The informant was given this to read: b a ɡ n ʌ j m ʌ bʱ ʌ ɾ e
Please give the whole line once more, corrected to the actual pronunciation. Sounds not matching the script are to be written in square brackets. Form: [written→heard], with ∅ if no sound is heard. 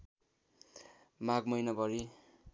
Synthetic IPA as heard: [b→m] a ɡ [n→m] ʌ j [m→n] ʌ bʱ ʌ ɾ [e→i]